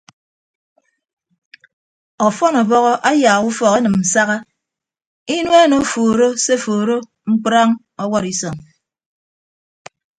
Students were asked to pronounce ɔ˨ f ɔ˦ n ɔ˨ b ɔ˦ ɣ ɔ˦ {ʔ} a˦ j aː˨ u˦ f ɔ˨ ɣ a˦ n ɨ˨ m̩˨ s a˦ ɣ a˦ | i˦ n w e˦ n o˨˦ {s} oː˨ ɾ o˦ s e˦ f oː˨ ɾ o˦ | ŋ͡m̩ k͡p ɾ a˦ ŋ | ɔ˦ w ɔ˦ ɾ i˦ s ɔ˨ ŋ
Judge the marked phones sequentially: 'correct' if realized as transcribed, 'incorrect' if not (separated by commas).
correct, incorrect